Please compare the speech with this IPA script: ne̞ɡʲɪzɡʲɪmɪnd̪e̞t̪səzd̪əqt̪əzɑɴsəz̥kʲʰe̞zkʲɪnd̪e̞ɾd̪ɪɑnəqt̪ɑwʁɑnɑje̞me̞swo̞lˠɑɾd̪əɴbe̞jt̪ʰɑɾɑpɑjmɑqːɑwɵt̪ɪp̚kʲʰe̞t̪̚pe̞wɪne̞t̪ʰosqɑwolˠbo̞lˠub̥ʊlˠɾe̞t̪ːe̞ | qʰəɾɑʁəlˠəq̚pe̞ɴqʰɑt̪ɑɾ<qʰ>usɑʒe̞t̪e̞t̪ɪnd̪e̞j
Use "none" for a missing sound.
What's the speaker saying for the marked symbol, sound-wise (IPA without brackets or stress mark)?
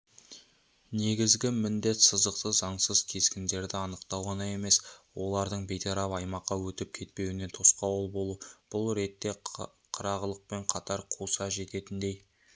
qʰ